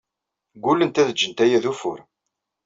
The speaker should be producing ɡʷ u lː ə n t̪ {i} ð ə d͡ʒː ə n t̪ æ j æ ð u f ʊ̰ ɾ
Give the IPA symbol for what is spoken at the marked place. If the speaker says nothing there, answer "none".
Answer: æ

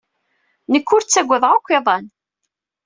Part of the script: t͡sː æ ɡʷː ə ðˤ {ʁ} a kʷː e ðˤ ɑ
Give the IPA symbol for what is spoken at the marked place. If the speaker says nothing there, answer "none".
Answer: ʁ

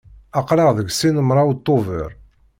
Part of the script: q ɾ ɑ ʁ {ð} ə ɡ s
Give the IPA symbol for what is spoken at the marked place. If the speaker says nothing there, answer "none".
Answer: ð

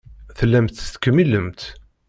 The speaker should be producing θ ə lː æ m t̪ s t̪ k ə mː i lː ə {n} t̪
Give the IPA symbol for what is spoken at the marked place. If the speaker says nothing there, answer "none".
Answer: m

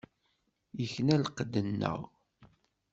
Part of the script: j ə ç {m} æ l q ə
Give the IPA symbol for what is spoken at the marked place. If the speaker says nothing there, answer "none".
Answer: n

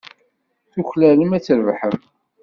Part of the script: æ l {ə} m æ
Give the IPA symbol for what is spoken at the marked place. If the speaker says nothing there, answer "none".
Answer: ə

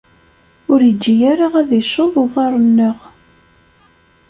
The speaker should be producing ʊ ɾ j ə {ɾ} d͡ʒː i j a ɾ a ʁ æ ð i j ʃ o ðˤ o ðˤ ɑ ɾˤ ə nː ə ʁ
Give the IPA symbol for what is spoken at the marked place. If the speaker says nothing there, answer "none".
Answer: none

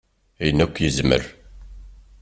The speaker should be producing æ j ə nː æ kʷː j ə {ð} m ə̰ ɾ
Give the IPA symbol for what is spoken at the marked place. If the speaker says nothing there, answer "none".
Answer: z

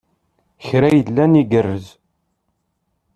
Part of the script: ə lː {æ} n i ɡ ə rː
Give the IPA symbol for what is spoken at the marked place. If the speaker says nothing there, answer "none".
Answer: æ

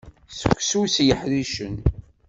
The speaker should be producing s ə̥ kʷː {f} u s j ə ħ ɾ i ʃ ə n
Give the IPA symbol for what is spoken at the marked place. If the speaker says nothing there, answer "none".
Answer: s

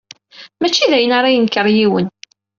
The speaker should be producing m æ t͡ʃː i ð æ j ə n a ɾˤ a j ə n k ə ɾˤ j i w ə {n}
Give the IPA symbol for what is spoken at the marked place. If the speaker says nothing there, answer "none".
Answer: n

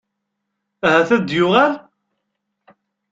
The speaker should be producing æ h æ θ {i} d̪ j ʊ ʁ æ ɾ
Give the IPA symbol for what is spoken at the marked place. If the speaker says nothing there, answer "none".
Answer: æ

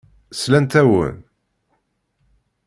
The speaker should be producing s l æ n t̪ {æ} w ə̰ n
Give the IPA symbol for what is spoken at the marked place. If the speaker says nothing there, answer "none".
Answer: æ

